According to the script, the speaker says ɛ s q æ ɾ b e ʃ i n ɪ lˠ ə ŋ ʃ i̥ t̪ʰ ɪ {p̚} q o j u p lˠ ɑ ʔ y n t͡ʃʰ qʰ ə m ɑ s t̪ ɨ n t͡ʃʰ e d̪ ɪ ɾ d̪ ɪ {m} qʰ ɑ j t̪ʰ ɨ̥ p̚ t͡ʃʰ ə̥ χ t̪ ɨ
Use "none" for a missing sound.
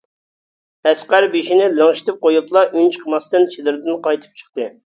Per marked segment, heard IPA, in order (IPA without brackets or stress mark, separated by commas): p̚, n